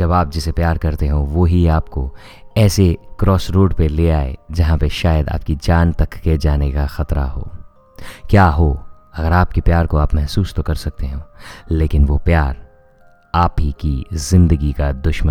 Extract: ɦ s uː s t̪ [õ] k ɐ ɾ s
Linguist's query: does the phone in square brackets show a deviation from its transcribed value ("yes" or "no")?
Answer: yes